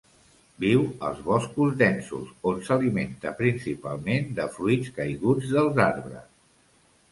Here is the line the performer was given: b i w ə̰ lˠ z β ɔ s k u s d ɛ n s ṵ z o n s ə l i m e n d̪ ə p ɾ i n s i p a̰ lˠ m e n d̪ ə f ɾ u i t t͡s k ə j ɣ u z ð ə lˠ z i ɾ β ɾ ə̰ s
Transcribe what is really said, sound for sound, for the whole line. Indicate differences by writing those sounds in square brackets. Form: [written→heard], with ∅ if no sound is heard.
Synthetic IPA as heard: b i w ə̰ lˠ z β ɔ s k u [s→z] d ɛ n s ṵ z o n s ə l i m e n [d̪→t̪] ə p ɾ i n s i p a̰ lˠ m e n d̪ ə f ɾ u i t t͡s k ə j ɣ u [z→d͡z] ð ə lˠ z [i→a] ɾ β ɾ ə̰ s